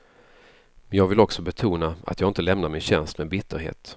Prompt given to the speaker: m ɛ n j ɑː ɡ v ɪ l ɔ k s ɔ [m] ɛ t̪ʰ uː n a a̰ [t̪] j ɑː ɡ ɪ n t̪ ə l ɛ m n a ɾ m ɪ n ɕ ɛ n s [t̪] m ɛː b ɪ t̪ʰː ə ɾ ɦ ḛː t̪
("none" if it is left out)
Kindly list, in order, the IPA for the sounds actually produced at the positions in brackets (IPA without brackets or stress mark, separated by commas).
b, t̪, t̪